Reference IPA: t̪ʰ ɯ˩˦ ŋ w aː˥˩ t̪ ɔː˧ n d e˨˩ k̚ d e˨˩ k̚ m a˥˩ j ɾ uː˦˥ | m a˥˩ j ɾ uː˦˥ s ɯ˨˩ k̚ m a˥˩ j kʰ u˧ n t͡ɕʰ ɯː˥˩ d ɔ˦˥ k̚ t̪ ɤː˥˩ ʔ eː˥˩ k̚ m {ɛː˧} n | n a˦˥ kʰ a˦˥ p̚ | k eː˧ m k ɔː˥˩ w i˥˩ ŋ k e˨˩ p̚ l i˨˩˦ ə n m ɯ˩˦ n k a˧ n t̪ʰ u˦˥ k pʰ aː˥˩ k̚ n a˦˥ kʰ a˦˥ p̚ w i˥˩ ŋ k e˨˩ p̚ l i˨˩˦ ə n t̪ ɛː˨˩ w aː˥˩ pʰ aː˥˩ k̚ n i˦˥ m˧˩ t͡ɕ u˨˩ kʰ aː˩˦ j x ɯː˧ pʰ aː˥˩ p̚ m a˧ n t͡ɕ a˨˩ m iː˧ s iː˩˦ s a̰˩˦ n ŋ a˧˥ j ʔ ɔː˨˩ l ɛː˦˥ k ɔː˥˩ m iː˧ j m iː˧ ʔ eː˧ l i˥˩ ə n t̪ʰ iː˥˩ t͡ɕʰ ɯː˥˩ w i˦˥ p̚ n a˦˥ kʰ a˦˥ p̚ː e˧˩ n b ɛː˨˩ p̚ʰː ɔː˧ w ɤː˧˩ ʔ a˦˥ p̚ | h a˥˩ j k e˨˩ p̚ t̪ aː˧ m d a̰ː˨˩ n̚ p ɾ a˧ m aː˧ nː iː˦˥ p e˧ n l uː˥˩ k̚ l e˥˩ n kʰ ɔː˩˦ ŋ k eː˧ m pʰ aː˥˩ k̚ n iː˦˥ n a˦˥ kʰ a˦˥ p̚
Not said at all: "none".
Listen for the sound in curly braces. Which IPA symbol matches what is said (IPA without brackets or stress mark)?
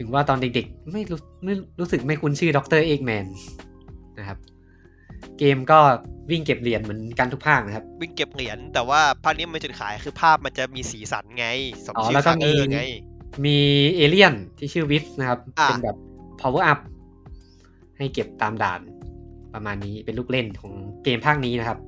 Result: ɛː˧